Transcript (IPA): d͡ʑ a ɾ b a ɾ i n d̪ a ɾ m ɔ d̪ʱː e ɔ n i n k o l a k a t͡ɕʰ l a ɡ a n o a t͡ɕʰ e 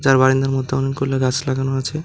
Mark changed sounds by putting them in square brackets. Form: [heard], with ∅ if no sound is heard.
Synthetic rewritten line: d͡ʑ a ɾ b a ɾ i n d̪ a ɾ m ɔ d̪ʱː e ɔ n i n k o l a [ɡ] a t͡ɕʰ l a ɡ a n o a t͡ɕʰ e